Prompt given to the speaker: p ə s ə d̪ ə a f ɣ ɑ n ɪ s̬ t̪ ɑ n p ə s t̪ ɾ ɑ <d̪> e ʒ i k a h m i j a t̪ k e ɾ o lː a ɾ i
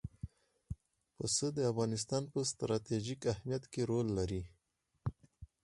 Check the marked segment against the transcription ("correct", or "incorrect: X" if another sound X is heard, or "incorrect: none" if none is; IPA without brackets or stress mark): incorrect: t̪